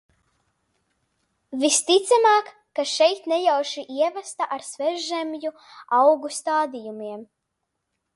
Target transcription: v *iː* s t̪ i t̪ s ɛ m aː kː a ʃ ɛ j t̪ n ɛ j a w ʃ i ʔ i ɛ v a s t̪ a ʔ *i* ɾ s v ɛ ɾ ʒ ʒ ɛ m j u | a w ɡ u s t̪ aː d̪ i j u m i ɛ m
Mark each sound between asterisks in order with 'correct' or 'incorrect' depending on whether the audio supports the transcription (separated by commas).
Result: incorrect, incorrect